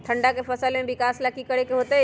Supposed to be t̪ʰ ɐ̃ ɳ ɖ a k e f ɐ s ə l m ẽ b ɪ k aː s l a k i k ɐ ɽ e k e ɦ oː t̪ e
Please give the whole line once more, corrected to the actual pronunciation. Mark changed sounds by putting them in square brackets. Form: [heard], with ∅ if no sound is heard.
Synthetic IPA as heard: t̪ʰ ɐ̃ ɳ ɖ a k e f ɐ s ə l m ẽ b ɪ k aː s l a k i k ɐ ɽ e k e ɦ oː t̪ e

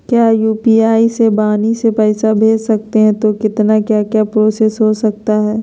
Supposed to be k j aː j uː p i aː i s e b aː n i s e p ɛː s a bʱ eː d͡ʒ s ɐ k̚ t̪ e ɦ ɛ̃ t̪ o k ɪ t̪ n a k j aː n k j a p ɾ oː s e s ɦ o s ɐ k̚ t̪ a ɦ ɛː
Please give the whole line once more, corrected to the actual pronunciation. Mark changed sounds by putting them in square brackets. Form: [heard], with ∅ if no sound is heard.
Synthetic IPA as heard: k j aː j uː p i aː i s e b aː n i s e p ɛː s a bʱ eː d͡ʒ s ɐ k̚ t̪ e ɦ ɛ̃ t̪ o k ɪ t̪ n a k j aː [∅] k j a p ɾ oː s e s ɦ o s ɐ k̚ t̪ a ɦ ɛː

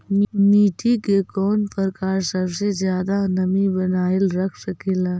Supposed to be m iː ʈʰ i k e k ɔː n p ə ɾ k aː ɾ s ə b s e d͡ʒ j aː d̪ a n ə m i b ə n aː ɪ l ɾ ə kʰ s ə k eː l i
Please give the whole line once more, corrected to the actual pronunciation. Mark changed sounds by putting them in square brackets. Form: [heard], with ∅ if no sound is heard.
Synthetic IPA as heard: m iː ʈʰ i k e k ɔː n p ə ɾ k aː ɾ s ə b s e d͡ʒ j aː d̪ a n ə m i b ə n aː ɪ l ɾ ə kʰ s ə k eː l [a]

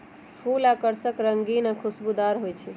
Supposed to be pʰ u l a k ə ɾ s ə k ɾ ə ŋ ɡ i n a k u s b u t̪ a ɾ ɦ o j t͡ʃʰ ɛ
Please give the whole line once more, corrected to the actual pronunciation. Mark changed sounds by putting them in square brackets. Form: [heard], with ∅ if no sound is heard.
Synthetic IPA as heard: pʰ u l a k ə ɾ s ə k ɾ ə ŋ ɡ i n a [kʰ] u s b u [d̪] a ɾ ɦ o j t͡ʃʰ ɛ

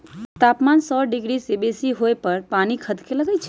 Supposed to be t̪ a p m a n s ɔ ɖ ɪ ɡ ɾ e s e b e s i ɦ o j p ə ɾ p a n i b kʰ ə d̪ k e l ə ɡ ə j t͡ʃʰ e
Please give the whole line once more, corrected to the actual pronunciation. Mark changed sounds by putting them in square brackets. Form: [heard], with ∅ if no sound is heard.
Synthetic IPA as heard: t̪ a p m a n s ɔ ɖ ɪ ɡ ɾ [i] s e b e s i ɦ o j p ə ɾ p a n i [∅] kʰ ə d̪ k e l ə ɡ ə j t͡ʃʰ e

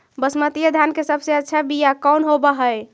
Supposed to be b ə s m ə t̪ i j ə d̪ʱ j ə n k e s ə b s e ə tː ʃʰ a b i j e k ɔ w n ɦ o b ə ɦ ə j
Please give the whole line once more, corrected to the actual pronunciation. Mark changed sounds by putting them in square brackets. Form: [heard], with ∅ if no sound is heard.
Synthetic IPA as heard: b ə s m ə t̪ i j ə d̪ʱ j [a] n k e s ə b s e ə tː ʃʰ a b i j [a] k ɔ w n ɦ o b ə ɦ ə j

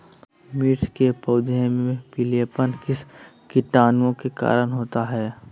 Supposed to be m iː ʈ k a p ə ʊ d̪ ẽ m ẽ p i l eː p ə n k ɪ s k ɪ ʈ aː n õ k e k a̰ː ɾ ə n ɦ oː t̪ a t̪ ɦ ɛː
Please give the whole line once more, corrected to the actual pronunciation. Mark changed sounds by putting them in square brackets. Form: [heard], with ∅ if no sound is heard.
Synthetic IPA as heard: m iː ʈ k [e] p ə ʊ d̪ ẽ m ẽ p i l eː p ə n k ɪ s k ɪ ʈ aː n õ k e k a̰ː ɾ ə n ɦ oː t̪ a [∅] ɦ ɛː

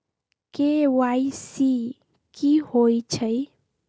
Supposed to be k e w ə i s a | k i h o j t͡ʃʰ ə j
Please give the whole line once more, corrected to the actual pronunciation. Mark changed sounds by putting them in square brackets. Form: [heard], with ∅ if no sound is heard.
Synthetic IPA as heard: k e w [a] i s [i] | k i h o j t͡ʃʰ ə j

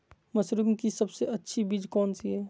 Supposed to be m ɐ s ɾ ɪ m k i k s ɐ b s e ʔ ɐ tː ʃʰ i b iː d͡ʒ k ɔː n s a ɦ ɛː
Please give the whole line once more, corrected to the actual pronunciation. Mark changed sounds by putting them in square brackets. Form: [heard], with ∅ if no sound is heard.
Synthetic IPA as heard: m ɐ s ɾ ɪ m k i [∅] s ɐ b s e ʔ ɐ tː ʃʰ i b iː d͡ʒ k ɔː n s [i] ɦ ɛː

